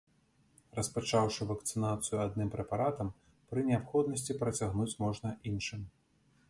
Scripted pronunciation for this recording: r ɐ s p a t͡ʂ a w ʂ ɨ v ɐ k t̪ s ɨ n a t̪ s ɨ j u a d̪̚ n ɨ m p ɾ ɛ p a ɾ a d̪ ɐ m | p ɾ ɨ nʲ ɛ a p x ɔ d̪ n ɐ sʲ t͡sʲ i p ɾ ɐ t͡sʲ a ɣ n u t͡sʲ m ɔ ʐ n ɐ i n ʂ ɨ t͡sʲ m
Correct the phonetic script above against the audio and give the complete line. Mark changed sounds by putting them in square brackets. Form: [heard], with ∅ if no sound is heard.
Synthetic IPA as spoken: r ɐ s p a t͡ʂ a w ʂ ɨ v ɐ k t̪ s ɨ n a t̪ s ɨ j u a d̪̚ n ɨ m p ɾ ɛ p a ɾ a [t̪] ɐ m | p ɾ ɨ nʲ ɛ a p x ɔ d̪ n ɐ sʲ t͡sʲ i p ɾ ɐ t͡sʲ a ɣ n u t͡sʲ m ɔ ʐ n ɐ i n ʂ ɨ [∅] m